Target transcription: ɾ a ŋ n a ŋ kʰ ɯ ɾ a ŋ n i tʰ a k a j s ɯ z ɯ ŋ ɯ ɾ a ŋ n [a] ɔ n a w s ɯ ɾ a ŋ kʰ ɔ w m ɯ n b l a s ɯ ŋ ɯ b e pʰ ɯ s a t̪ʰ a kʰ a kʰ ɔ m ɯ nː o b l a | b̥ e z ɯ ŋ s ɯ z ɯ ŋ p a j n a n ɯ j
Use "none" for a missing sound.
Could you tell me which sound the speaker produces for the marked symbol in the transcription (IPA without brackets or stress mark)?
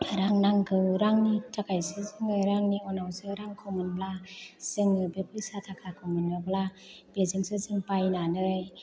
i